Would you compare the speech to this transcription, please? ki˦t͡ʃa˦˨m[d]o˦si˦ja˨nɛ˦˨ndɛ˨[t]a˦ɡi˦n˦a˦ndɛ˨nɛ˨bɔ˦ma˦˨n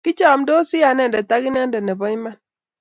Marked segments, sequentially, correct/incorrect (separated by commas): correct, correct